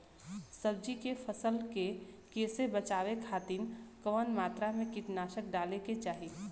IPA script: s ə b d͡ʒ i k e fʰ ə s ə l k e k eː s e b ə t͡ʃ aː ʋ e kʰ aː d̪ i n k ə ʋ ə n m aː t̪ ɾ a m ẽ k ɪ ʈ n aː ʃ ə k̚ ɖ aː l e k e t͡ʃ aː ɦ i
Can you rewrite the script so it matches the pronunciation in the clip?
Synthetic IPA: s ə b d͡ʒ i k e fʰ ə s ə l k e k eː s e b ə t͡ʃ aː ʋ e kʰ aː t̪ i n k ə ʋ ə n m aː t̪ ɾ a m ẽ k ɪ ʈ n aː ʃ ə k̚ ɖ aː l e k e t͡ʃ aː ɦ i

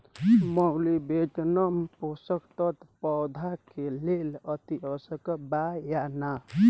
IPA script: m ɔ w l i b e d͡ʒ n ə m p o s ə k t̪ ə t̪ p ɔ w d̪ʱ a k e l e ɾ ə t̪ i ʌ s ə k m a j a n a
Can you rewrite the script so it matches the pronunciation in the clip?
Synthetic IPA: m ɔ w l i b e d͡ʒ n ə m p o s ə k t̪ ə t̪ p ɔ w d̪ʱ a k e l e l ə t̪ i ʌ s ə k b a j a n a

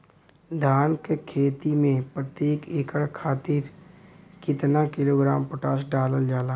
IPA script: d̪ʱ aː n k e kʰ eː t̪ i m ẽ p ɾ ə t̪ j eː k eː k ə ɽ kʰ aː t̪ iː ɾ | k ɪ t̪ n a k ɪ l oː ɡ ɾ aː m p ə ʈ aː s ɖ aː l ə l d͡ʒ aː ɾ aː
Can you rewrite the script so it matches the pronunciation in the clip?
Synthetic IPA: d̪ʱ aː n k e kʰ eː t̪ i m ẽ p ɾ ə t̪ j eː k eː k ə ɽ kʰ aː t̪ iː ɾ | k ɪ t̪ n a k ɪ l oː ɡ ɾ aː m p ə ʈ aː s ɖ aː l ə l d͡ʒ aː l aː

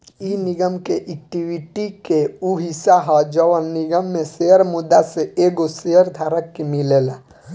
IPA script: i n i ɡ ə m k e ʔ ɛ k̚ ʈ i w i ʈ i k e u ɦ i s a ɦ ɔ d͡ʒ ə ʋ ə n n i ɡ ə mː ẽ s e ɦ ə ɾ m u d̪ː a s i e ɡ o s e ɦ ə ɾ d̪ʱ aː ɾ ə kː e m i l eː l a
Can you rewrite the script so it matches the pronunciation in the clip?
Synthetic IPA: i n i ɡ ə m k e ʔ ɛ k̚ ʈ i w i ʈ i k e u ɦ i s a ɦ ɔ d͡ʒ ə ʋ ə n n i ɡ ə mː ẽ s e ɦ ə ɾ m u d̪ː a s e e ɡ o s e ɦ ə ɾ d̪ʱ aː ɾ ə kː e m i l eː l a

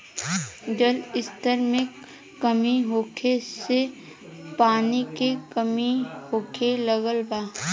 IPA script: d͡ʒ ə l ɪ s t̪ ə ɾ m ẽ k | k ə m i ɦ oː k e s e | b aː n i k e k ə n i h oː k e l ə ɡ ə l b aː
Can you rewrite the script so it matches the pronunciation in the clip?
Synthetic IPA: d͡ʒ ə l ɪ s t̪ ə ɾ m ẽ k | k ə m i ɦ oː kʰ e s e | p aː n i k e k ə m i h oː kʰ e l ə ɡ ə l b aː

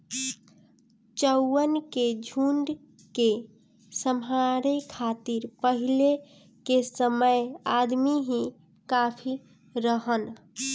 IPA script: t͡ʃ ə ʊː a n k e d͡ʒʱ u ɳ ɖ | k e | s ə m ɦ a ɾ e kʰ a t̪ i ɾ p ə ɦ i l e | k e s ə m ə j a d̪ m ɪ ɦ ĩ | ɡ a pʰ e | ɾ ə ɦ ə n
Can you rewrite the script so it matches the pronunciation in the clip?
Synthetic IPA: t͡ʃ ə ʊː ə n k e d͡ʒʱ u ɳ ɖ | k e | s ə m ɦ a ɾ e kʰ a t̪ i ɾ p ə ɦ i l e | k e s ə m ə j a d̪ m i ɦ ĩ | k a pʰ i | ɾ ə ɦ ə n

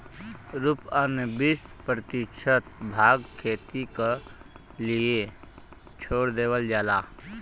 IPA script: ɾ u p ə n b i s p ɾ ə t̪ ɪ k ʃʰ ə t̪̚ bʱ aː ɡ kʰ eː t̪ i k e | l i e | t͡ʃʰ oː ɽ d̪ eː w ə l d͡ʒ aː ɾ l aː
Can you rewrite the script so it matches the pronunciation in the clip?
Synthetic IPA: ɾ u p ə n b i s p ɾ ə t̪ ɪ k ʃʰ ə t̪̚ bʱ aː ɡ kʰ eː t̪ i k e | l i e | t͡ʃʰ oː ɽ d̪ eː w ə l d͡ʒ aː l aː

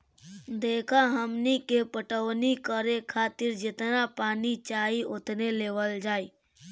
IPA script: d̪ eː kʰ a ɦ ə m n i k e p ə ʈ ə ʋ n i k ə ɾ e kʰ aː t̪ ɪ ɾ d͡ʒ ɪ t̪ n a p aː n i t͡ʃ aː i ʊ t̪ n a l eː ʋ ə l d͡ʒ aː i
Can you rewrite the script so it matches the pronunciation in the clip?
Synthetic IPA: d̪ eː kʰ a ɦ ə m n i k e p ə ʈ ə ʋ n i k ə ɾ e kʰ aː t̪ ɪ ɾ d͡ʒ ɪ t̪ n a p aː n i t͡ʃ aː i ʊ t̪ n e l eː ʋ ə l d͡ʒ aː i

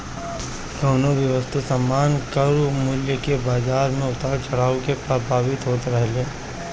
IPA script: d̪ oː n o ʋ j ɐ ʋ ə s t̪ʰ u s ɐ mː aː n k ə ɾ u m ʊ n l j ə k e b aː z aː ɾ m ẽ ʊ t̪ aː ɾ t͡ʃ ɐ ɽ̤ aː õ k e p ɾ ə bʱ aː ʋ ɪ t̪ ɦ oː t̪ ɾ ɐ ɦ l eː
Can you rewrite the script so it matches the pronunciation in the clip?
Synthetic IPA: d̪ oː n o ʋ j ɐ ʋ ə s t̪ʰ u s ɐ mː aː n k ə ɾ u m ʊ l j ə k e b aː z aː ɾ m ẽ ʊ t̪ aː ɾ t͡ʃ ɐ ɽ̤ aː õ k e p ɾ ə bʱ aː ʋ ɪ t̪ ɦ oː t̪ ɾ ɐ ɦ l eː

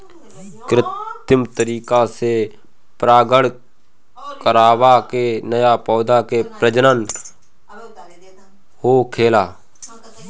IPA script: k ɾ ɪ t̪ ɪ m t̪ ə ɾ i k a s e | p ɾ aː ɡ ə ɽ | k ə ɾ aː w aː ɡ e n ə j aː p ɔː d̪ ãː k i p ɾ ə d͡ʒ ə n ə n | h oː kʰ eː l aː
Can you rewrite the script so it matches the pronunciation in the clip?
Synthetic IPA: k ɾ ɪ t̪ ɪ m t̪ ə ɾ iː k a s e | p ɾ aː ɡ ə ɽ | k ə ɾ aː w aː k e n ə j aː p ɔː d̪ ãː k e p ɾ ə d͡ʒ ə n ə n | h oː kʰ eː l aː

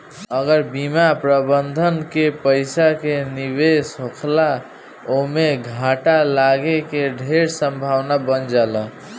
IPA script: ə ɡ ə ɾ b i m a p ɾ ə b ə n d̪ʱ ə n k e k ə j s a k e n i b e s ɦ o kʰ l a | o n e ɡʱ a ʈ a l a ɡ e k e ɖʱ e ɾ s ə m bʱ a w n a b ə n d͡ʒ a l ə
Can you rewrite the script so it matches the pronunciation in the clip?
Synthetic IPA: ə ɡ ə ɾ b i m a p ɾ ə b ə n d̪ʱ ə n k e p ə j s a k e n i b e s ɦ o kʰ l a | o m e ɡʱ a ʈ a l a ɡ e k e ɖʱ e ɾ s ə m bʱ a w n a b ə n d͡ʒ a l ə

